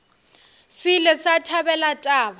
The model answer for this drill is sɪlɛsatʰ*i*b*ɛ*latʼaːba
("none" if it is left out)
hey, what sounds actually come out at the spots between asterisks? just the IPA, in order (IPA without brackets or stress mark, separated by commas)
a, ɛ